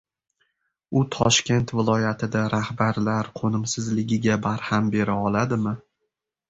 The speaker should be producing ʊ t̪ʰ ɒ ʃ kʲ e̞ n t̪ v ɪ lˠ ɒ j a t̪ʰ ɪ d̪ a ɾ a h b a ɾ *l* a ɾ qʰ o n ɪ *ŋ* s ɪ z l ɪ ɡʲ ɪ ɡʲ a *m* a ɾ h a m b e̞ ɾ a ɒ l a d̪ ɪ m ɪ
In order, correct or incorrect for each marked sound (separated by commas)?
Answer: correct, incorrect, incorrect